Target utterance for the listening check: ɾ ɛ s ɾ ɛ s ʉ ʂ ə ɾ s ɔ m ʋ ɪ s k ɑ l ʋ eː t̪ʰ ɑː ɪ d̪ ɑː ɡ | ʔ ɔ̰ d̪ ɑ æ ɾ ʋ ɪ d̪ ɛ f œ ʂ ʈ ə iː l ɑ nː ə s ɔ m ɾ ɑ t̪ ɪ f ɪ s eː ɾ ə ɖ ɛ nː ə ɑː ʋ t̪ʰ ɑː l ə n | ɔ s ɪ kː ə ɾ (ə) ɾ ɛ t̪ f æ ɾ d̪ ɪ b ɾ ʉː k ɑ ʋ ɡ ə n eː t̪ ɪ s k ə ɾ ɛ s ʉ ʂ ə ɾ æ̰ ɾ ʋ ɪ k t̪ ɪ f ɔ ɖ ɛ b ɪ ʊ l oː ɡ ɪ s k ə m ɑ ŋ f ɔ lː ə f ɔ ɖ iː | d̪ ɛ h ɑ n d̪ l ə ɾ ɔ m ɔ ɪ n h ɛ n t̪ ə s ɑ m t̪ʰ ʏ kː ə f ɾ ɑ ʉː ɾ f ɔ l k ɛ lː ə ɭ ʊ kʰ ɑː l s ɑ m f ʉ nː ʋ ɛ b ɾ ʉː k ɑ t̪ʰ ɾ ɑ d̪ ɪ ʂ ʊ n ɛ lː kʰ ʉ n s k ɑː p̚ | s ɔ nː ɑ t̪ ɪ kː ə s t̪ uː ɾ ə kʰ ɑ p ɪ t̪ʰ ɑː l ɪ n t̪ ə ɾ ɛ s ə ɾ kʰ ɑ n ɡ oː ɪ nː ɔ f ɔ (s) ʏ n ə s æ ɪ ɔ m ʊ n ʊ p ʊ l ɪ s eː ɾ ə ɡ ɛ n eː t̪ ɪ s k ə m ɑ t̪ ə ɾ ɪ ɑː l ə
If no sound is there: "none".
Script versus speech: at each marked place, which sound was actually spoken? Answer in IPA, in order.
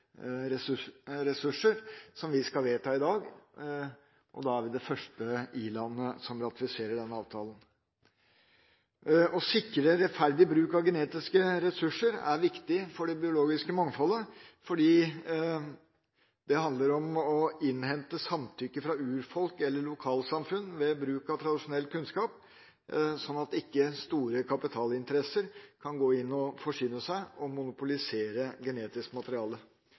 ə, ʂ

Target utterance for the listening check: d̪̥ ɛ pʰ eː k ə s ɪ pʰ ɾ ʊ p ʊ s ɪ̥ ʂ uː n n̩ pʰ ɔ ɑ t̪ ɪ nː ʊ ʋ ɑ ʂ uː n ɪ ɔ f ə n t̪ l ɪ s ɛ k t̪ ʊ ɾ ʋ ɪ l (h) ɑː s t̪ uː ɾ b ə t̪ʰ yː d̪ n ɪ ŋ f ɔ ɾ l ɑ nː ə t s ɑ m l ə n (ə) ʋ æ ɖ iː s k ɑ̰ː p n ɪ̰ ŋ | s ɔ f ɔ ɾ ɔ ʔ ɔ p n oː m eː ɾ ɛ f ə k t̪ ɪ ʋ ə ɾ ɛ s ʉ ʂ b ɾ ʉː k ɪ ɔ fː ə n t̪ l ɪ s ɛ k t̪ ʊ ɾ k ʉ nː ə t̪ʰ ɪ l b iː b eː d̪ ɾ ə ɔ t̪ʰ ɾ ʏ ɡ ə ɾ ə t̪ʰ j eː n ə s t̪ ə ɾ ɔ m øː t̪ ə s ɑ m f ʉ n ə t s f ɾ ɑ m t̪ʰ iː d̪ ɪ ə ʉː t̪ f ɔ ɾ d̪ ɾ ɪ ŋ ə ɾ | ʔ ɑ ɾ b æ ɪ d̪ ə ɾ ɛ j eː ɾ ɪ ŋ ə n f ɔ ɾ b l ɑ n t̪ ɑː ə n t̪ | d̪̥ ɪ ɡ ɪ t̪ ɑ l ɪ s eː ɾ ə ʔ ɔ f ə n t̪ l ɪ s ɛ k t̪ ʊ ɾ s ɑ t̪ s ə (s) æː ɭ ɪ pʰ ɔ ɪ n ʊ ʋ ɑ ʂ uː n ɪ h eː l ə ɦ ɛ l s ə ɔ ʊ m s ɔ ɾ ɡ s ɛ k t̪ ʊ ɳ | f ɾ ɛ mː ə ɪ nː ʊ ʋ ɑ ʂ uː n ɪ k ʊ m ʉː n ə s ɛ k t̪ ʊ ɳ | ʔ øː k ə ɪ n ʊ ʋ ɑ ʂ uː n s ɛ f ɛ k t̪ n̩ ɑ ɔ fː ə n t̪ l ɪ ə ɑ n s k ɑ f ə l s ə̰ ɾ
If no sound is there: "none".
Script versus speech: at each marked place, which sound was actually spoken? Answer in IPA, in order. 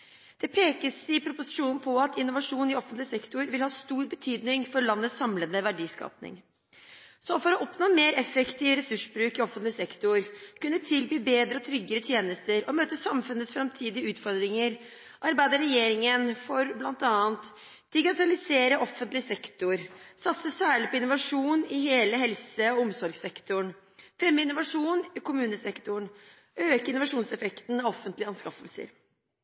h, ə, s

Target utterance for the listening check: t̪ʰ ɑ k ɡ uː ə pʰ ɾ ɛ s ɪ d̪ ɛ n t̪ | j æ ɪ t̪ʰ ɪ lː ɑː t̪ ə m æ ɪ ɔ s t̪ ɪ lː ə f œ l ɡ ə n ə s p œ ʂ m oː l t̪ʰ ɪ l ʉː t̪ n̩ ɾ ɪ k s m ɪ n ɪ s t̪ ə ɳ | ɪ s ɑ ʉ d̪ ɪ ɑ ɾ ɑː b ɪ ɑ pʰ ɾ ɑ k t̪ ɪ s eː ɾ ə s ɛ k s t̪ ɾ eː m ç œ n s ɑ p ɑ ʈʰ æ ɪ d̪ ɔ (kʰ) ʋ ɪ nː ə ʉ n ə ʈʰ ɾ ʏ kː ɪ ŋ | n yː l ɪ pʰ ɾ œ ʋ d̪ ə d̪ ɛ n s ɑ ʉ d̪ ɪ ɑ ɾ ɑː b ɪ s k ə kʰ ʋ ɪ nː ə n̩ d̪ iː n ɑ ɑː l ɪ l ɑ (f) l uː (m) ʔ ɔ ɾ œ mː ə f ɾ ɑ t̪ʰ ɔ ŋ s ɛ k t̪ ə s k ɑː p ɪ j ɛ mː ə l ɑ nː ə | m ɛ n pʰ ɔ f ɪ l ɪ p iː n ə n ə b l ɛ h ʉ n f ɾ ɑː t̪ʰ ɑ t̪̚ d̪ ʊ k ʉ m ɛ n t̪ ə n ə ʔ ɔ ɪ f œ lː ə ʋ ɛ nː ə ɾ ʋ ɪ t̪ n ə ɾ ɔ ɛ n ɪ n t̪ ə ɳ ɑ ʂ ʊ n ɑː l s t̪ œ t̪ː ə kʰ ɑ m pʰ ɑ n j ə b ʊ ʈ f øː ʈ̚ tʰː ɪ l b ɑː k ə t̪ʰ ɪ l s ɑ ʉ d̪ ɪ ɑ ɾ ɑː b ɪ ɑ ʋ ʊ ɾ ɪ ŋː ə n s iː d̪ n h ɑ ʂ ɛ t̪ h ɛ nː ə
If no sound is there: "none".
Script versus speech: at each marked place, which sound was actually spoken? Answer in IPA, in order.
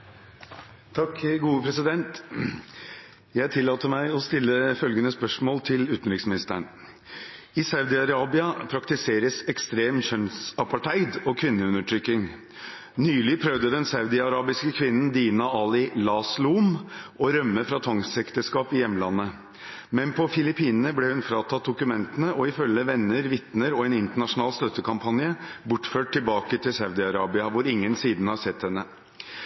kʰ, s, m

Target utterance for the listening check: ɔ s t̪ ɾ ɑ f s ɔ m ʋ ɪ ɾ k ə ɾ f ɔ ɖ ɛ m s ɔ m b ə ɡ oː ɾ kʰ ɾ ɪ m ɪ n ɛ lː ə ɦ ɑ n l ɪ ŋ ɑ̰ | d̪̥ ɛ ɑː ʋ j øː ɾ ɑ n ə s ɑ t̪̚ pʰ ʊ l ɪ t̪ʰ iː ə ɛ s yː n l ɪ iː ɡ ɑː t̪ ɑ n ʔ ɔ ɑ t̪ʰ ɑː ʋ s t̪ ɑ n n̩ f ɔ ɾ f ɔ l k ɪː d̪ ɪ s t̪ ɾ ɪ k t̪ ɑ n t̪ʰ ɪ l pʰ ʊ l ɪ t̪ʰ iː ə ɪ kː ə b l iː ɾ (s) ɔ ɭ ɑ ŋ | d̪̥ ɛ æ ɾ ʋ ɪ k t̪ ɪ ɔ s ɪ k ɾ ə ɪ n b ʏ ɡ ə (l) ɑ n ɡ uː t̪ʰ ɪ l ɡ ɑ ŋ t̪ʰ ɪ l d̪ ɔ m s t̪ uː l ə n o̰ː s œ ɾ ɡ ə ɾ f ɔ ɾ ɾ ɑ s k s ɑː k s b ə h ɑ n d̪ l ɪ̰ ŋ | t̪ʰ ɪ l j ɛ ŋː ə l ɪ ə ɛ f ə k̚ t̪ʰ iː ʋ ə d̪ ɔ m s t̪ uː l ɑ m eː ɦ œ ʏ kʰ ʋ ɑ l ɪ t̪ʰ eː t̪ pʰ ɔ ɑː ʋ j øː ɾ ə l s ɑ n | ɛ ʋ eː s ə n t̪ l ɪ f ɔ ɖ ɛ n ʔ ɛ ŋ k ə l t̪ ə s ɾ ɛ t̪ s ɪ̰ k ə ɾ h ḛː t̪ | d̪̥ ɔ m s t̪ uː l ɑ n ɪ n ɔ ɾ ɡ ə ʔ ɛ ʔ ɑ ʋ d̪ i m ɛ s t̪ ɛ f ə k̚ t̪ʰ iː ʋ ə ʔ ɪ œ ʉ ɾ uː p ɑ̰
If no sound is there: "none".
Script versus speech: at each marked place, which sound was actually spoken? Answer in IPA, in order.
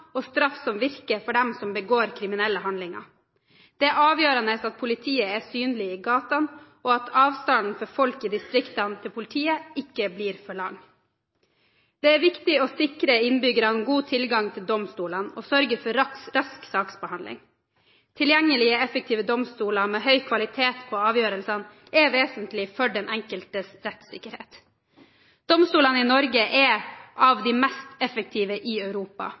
f, ɾ

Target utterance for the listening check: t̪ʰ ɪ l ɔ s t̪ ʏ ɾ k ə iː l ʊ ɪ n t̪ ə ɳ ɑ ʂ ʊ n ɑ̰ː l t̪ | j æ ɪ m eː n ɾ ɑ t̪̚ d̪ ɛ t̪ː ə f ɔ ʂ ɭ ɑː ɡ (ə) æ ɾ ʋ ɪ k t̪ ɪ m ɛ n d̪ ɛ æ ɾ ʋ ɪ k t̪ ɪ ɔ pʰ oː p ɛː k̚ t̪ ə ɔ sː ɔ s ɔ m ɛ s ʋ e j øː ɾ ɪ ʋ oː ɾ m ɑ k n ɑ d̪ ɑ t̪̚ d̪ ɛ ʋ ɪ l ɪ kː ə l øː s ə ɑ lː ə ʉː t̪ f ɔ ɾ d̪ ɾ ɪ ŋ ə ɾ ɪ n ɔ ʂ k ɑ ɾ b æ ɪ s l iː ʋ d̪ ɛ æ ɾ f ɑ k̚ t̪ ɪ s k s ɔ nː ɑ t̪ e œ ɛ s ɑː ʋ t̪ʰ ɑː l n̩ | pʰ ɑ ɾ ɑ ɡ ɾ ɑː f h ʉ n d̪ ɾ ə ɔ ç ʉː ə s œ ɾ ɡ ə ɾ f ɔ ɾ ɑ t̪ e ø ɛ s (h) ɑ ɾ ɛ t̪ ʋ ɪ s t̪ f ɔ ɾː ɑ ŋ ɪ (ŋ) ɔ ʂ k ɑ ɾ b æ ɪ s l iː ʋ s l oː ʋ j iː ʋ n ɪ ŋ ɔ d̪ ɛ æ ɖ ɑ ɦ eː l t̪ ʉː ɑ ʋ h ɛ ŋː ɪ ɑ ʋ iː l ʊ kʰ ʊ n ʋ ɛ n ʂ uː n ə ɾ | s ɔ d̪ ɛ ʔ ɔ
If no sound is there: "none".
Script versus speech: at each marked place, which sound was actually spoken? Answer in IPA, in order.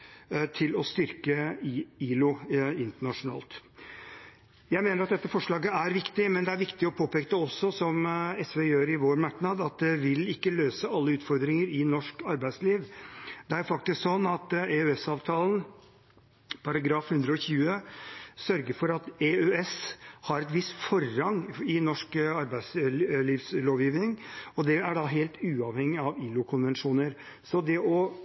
ə, h, n

